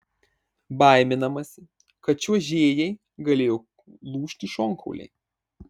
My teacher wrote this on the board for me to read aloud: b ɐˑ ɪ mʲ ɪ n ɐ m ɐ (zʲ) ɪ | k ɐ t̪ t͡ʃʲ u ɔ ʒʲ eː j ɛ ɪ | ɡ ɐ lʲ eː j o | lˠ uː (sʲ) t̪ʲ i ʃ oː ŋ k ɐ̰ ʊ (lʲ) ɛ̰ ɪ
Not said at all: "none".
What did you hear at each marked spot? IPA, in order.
sʲ, ʃʲ, lʲ

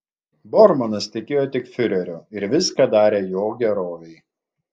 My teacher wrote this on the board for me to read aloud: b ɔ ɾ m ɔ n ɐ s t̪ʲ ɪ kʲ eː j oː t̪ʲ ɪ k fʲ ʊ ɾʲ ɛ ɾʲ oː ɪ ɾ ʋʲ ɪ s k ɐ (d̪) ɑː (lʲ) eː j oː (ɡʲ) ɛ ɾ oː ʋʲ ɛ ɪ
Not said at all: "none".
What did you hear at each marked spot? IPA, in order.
d̪, ɾʲ, ɡʲ

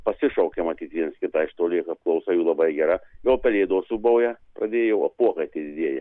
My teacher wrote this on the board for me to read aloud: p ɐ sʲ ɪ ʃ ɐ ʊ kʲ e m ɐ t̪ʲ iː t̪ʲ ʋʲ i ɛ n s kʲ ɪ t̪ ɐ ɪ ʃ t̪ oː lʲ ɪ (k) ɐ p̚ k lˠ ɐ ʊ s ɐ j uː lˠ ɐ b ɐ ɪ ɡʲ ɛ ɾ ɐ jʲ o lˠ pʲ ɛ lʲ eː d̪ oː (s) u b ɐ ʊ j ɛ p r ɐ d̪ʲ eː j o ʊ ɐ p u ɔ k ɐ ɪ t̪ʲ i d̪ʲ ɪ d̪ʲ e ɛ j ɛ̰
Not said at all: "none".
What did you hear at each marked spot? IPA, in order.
k, s

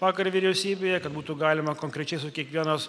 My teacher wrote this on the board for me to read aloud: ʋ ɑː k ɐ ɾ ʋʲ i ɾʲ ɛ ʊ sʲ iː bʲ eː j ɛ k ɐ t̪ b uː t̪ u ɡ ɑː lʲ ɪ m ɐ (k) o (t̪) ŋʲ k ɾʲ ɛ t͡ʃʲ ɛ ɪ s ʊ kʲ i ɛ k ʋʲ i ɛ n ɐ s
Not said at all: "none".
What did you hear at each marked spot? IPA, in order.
k, none

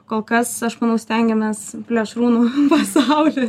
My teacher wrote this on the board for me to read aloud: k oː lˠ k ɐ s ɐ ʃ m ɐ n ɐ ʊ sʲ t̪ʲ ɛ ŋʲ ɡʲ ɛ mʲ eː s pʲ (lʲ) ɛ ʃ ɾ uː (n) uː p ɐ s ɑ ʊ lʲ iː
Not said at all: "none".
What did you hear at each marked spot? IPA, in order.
lʲ, n

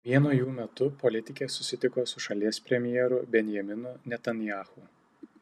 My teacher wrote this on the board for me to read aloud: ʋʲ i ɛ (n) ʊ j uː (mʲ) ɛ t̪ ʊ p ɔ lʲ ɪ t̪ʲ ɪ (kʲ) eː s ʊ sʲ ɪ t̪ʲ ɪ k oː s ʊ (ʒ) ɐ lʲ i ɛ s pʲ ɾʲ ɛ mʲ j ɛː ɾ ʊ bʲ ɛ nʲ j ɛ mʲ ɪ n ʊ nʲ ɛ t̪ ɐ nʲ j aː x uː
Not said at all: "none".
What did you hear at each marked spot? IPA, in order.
n, mʲ, kʲ, ʃ

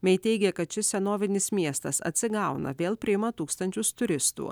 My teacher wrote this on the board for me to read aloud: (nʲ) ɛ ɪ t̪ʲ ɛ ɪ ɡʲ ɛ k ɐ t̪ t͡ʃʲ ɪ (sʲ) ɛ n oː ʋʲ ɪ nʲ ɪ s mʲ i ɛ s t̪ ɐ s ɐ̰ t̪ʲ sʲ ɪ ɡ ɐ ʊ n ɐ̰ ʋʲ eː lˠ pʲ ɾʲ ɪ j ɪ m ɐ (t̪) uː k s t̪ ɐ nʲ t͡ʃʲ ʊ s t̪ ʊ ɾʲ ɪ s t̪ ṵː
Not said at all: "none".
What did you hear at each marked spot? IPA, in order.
mʲ, sʲ, t̪

